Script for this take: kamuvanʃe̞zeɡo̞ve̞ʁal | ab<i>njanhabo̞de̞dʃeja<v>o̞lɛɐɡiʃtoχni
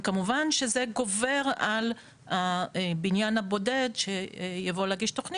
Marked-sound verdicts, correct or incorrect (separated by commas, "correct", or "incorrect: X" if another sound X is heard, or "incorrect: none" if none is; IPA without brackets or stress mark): correct, correct